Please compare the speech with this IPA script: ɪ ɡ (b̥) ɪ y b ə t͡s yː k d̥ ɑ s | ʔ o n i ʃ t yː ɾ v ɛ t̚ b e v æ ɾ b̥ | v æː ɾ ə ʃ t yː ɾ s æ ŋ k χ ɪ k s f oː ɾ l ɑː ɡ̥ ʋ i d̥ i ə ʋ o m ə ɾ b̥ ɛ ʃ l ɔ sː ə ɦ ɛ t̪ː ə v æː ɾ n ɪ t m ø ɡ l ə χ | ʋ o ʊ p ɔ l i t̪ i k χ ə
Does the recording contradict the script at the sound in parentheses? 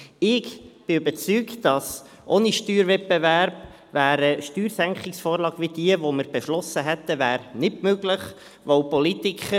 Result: no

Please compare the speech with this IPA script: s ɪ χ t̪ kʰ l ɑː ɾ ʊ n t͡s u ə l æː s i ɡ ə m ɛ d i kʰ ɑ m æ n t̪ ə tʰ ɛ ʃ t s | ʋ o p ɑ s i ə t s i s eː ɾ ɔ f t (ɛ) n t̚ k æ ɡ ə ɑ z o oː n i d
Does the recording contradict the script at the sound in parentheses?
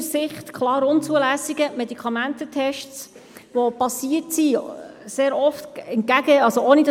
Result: no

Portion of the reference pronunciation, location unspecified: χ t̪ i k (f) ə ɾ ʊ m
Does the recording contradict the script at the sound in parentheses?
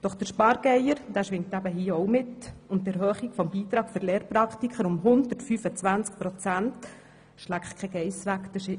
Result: yes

